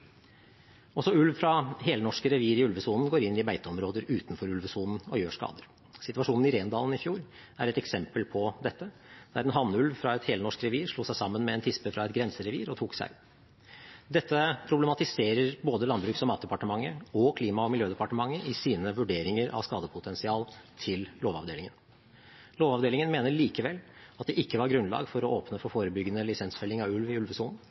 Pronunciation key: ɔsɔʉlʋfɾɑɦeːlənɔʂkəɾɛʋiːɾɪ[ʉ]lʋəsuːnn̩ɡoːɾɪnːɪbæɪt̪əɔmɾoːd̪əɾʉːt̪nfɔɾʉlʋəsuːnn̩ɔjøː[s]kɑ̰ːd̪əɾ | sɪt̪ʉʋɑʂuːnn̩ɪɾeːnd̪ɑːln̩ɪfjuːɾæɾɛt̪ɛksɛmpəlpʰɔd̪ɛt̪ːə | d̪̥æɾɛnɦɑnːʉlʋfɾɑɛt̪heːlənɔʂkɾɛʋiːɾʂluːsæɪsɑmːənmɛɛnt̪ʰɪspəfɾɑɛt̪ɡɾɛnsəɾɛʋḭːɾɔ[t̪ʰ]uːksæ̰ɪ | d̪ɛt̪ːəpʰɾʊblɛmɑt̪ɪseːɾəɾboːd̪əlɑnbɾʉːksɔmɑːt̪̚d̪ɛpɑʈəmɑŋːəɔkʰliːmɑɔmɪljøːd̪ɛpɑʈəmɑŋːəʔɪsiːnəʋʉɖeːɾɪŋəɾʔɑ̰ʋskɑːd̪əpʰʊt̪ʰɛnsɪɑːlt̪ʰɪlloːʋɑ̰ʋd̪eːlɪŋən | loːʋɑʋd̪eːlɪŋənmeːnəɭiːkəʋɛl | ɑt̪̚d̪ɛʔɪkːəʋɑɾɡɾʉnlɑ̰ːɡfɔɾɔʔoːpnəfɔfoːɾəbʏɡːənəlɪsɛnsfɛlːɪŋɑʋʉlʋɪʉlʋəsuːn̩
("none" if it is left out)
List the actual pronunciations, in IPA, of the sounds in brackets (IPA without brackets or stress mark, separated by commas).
ʉ, ʂ, t̪ʰ